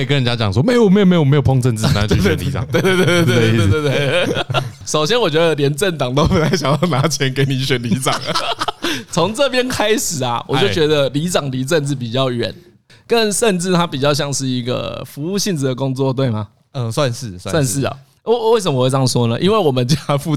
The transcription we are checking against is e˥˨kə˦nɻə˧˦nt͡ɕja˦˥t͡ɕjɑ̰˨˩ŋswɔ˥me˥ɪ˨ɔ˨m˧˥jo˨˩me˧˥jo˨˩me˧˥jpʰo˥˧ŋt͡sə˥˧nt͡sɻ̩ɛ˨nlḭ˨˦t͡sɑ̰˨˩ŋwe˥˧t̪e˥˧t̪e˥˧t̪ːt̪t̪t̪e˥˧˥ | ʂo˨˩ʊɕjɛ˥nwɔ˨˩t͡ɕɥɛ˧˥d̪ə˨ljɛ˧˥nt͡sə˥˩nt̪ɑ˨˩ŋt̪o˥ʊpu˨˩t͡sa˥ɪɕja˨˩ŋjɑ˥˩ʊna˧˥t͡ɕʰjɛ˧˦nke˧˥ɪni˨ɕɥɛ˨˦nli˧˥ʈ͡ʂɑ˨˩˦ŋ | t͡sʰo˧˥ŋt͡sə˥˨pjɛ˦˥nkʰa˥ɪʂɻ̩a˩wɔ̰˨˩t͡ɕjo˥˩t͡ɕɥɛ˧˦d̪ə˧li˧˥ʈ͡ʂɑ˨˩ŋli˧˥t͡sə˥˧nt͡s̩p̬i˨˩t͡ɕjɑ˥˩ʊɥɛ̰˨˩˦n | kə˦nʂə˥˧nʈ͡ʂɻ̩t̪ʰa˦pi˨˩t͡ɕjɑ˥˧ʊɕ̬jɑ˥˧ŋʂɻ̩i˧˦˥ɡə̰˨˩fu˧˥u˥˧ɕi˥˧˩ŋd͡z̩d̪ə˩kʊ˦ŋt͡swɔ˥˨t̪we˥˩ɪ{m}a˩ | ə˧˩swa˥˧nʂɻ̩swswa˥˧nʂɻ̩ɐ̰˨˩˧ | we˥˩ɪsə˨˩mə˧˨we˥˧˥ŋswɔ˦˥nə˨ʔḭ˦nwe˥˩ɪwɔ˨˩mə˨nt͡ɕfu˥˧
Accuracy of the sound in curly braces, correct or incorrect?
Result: correct